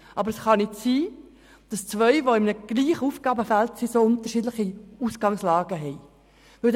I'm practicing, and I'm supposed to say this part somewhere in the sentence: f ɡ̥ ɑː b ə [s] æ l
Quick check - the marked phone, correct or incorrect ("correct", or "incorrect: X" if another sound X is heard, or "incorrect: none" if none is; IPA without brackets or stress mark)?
incorrect: f